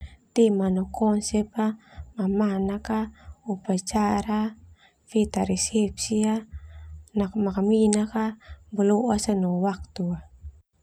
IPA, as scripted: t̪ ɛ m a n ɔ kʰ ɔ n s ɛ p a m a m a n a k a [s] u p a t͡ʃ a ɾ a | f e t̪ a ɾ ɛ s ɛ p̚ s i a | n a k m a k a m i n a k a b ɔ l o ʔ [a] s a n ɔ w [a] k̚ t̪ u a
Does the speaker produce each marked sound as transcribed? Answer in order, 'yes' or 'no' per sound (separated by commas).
no, yes, yes